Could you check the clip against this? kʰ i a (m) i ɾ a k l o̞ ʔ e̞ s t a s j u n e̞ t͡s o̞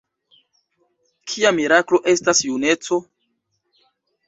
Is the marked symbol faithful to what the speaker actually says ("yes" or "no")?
yes